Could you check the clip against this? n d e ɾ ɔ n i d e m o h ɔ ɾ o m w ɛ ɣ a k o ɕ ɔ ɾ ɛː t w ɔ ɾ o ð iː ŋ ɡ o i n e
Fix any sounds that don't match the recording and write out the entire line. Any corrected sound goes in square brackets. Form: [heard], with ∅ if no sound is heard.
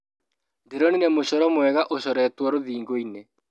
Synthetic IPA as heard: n d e ɾ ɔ n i [n] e m o [ɕ] ɔ ɾ [ɔ] m w ɛ ɣ a [ʔ] o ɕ ɔ ɾ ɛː t w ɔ ɾ o ð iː ŋ ɡ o i n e

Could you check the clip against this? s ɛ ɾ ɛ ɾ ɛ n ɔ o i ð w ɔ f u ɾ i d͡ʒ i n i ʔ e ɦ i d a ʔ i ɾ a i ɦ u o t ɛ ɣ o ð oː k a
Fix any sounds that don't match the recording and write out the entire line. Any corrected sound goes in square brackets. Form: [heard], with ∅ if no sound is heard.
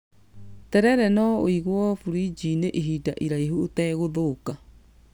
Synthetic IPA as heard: [t] ɛ ɾ ɛ ɾ ɛ n ɔ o i [ɣ] w ɔ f u ɾ i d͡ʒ i n [e] ʔ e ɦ i d a ʔ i ɾ a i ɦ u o t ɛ ɣ o ð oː k a

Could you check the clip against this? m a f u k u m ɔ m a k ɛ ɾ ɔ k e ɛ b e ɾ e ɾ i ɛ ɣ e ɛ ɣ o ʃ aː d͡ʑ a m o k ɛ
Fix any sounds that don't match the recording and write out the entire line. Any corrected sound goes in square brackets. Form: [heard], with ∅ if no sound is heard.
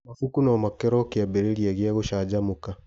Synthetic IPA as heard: m a f u k u [n] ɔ m a k ɛ ɾ ɔ k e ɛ b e ɾ e ɾ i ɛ ɣ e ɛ ɣ o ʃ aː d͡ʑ a m o k [a]

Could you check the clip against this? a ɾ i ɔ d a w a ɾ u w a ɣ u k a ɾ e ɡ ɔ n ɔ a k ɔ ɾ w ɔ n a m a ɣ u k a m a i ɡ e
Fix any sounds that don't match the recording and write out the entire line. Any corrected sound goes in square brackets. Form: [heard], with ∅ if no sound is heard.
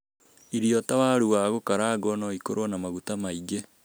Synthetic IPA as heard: [i] ɾ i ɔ [t] a w a ɾ u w a ɣ [o] k a ɾ [a] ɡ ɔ n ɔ [i] k [o] ɾ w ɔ n a m a ɣ u [t] a m a i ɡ e

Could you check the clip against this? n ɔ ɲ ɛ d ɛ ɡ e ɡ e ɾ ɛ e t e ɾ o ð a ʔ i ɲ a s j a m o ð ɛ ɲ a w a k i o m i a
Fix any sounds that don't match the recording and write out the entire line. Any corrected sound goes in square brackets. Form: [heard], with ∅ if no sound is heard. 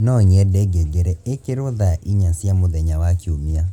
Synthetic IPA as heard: n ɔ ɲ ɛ d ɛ ɡ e ɡ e ɾ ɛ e [k] e ɾ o ð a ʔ i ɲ a s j a m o ð ɛ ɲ a w a k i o m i a

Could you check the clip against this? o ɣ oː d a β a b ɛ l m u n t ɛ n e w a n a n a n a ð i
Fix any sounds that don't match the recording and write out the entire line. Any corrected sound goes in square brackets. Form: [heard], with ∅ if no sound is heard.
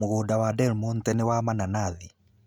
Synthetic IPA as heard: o ɣ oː d a [w] a [d] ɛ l m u n t ɛ n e w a [m] a n a n a ð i

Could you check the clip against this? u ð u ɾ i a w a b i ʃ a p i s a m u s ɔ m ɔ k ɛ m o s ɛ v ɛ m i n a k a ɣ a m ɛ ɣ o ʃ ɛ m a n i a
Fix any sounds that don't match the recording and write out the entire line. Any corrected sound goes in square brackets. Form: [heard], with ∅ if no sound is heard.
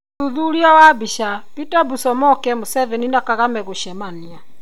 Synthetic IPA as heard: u ð u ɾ i a w a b i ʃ a p i [t] a [b] u s ɔ m ɔ k ɛ m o s ɛ v ɛ [n] i n a k a ɣ a m ɛ ɣ o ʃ ɛ m a n i a

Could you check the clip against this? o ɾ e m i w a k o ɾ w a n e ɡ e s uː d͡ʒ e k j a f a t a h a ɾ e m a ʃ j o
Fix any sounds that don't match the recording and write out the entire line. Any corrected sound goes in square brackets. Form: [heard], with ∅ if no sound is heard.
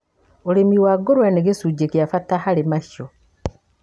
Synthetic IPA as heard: o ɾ e m i w a [ɡ] o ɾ w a n e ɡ e s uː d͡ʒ e k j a f a t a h a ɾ e m a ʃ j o

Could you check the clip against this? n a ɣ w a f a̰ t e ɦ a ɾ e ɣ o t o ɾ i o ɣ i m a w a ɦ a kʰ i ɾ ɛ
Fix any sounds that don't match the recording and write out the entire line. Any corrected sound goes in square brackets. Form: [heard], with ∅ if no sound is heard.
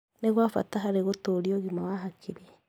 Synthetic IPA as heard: n [e] ɣ w a f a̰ t [a] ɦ a ɾ e ɣ o t o ɾ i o ɣ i m a w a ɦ a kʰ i ɾ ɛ

